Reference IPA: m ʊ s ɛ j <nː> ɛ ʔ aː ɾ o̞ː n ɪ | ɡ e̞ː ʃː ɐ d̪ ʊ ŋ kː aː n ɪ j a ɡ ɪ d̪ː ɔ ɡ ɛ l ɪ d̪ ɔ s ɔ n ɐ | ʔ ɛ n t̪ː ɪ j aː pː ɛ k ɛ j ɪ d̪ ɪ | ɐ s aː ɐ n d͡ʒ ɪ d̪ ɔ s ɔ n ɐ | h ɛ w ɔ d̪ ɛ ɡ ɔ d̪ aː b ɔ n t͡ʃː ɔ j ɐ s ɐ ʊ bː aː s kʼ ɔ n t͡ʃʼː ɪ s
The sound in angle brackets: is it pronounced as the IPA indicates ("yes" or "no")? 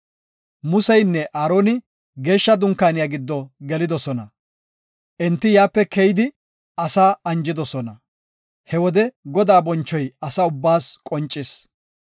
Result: yes